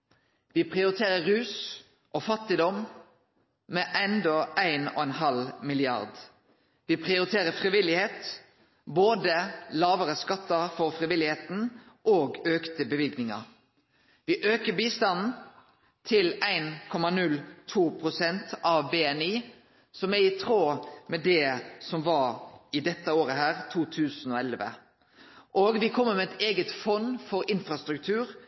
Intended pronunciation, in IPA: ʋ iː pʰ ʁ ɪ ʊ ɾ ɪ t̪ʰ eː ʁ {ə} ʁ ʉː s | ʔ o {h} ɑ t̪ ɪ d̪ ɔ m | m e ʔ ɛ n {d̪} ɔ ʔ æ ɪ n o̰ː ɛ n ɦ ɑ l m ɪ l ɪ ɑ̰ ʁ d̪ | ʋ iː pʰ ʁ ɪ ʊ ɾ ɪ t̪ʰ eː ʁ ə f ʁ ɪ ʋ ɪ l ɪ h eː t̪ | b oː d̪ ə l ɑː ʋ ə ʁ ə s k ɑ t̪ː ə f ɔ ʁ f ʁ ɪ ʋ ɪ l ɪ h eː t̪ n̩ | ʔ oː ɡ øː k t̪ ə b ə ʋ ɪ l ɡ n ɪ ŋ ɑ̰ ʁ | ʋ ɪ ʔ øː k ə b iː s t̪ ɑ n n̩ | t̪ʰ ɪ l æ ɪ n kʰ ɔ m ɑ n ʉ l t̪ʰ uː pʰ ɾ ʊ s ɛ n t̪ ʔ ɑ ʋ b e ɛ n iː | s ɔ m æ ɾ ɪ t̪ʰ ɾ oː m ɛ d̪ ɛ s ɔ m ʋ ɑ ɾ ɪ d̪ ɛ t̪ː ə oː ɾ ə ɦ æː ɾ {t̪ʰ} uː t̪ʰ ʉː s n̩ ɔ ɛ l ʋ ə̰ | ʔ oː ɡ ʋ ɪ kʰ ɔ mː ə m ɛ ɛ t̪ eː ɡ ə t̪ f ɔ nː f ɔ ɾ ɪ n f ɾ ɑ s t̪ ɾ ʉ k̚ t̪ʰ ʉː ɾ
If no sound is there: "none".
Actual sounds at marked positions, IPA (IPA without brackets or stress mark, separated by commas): ə, f, d̪, t̪ʰ